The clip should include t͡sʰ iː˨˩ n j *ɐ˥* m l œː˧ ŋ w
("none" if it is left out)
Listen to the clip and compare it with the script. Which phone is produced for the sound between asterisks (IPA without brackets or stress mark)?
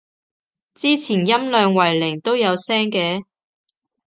ɐ˥